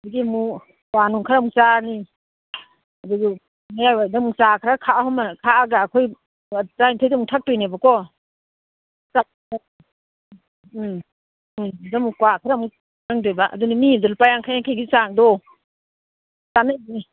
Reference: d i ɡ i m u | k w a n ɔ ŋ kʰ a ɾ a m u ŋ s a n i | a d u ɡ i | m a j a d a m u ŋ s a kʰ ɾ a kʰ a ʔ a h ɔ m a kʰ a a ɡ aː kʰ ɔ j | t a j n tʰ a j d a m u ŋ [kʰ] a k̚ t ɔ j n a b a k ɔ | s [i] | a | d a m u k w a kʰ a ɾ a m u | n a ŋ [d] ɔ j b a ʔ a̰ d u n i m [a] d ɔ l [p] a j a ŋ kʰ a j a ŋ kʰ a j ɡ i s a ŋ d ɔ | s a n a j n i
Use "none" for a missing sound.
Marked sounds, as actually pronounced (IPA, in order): tʰ, a, d, i, p

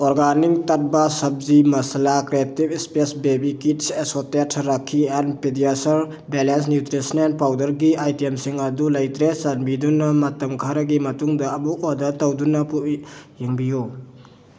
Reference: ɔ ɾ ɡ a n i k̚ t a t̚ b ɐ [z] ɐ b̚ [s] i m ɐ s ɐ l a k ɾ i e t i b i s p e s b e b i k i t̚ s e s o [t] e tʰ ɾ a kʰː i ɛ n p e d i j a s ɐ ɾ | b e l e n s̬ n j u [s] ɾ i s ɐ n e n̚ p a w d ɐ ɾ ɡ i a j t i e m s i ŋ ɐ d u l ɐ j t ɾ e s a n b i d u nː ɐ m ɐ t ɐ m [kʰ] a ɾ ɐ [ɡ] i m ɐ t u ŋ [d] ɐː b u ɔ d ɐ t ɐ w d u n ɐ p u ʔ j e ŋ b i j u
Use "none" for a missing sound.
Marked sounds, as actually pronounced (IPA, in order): s, z, t, t, kʰ, ɡ, d

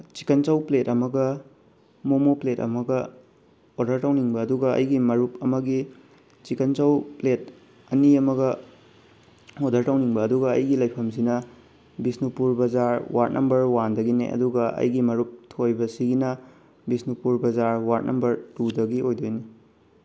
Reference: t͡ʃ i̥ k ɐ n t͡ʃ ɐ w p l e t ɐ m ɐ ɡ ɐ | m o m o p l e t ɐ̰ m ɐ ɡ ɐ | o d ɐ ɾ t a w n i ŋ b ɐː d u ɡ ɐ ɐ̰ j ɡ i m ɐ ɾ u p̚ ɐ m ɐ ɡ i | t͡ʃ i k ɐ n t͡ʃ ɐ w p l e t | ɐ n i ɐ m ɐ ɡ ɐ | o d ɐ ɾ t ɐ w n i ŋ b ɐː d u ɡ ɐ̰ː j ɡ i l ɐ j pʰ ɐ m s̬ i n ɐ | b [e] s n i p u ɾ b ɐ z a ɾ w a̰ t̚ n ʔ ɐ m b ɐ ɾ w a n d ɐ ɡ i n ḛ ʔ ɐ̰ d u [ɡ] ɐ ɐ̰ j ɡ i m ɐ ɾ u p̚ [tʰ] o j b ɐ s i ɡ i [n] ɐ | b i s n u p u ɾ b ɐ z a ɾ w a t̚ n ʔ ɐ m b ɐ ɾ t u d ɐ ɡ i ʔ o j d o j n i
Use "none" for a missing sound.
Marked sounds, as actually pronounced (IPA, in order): i, ɡ, tʰ, n

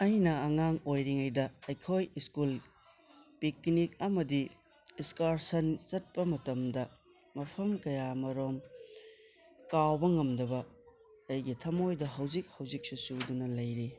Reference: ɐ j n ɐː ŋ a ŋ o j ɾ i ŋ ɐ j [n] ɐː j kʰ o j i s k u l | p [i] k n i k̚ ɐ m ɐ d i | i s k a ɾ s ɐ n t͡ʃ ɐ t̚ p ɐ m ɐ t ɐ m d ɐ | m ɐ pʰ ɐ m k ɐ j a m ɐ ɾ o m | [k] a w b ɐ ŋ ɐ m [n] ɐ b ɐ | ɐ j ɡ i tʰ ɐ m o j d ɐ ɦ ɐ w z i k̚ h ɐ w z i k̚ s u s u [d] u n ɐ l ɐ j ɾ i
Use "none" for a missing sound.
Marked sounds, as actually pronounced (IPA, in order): d, i, k, d, d

